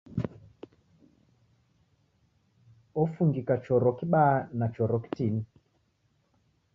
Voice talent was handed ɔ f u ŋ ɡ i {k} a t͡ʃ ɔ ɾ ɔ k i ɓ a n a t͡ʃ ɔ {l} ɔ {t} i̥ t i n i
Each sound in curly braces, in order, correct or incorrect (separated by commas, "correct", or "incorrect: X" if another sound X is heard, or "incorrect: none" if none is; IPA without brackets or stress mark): correct, incorrect: ɾ, incorrect: k